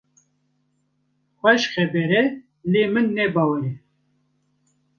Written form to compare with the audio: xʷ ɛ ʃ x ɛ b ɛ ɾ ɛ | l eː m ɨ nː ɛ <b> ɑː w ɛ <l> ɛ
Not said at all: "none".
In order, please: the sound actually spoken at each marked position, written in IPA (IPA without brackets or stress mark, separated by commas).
b, ɾ